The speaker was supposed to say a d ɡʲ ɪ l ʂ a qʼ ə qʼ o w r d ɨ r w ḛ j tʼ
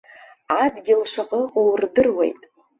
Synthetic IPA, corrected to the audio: a d ɡʲ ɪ l ʂ a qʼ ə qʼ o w r d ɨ r w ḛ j tʼ